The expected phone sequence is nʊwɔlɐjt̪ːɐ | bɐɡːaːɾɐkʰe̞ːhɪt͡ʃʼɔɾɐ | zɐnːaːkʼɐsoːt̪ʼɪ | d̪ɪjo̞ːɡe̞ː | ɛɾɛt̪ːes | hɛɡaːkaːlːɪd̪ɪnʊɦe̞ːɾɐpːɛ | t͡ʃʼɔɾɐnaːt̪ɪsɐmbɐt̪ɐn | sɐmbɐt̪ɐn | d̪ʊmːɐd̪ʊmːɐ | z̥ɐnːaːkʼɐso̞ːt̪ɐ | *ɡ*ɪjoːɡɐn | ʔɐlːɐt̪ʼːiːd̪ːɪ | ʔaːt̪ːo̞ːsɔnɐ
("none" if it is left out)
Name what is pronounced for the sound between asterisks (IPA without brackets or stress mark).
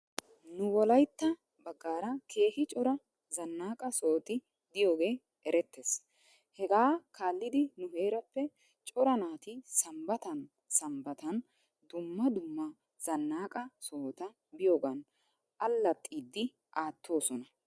b